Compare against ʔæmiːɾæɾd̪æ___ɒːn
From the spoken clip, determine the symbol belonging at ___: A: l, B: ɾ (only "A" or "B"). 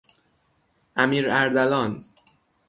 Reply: A